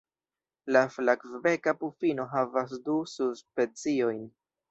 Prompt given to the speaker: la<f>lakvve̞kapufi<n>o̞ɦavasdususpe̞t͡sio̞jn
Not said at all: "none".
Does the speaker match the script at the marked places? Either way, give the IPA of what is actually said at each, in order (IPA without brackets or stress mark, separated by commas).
f, n